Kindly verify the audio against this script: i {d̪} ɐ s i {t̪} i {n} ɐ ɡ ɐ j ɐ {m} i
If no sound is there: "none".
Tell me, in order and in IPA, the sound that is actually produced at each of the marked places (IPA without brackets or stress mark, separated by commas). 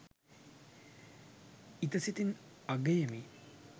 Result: t̪, t̪, n, m